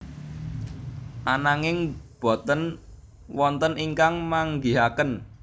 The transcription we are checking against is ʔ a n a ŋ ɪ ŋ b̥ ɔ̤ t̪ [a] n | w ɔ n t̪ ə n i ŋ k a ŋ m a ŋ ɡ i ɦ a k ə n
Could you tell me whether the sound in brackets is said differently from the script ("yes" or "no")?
yes